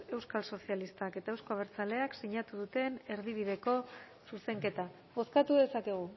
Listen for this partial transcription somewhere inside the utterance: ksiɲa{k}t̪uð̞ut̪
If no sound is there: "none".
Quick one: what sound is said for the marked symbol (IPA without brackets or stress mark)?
none